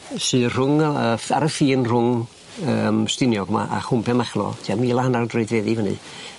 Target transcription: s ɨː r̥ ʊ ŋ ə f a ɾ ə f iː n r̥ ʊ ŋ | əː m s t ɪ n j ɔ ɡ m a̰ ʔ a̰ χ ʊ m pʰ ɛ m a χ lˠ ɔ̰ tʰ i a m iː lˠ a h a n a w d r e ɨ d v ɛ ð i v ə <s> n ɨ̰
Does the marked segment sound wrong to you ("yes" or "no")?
yes